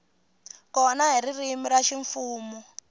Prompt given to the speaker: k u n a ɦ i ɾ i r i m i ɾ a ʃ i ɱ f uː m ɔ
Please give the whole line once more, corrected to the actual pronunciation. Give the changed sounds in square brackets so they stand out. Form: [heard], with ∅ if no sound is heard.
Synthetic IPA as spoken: k [ɔ] n a ɦ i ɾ i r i m i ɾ a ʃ i ɱ f uː m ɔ